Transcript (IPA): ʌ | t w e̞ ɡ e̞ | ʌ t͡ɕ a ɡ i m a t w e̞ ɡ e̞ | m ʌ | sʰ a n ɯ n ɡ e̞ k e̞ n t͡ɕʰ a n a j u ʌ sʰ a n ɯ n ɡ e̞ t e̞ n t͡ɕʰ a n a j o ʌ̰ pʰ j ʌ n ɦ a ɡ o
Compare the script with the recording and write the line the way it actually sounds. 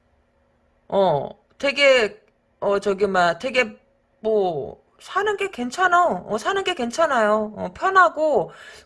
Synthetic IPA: ʌ | t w e̞ ɡ e̞ | ʌ t͡ɕ ʌ ɡ i m a t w e̞ ɡ e̞ | m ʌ | sʰ a n ɯ n ɡ e̞ k e̞ n t͡ɕʰ a n a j o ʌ sʰ a n ɯ n ɡ e̞ k e̞ n t͡ɕʰ a n a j o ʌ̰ pʰ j ʌ n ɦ a ɡ o